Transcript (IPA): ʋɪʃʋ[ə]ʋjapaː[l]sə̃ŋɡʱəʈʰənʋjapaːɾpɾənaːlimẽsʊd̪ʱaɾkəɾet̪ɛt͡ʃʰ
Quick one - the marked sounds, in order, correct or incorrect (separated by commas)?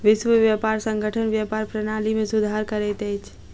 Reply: correct, incorrect